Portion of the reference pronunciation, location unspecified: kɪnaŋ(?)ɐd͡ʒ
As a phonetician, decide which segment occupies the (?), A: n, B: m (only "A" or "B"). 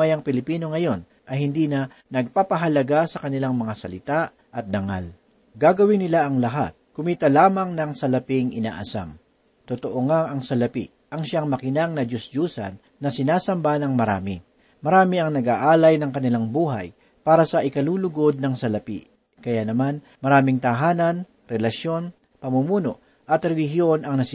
A